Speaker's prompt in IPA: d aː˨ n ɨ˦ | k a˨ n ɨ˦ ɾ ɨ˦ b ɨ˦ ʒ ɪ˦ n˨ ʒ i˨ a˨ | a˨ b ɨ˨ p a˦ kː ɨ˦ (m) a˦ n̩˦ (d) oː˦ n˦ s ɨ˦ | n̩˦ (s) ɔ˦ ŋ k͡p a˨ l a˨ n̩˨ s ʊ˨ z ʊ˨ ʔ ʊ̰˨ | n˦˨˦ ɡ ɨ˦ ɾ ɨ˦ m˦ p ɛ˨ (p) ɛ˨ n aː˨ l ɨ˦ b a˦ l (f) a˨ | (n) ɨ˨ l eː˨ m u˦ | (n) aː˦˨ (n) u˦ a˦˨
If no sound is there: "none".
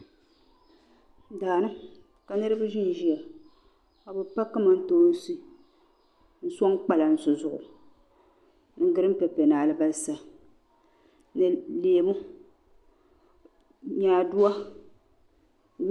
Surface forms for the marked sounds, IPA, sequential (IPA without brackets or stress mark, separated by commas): m, t, s, p, s, n, ɲ, d